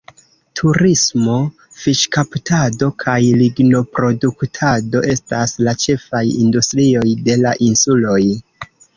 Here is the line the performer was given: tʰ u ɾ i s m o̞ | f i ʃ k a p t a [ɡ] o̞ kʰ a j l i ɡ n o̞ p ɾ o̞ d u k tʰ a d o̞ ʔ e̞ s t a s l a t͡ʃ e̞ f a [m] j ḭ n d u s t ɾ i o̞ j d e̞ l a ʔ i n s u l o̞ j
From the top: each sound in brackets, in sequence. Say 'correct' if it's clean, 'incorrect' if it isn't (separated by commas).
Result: incorrect, incorrect